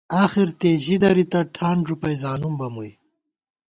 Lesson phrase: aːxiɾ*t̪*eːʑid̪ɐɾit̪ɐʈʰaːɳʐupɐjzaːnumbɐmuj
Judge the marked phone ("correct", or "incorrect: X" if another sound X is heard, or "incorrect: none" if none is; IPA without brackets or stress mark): correct